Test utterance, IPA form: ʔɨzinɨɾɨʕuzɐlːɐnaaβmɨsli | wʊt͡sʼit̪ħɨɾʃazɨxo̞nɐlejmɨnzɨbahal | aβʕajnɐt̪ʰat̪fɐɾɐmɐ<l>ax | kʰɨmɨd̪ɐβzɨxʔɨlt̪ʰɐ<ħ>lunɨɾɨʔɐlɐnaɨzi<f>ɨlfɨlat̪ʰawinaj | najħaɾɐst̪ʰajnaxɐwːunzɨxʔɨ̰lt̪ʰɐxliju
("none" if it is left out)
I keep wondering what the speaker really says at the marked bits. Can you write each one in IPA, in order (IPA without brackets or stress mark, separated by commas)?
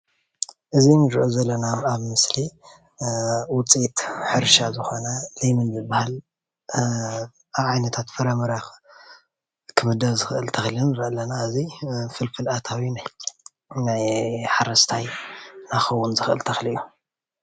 ɾ, x, f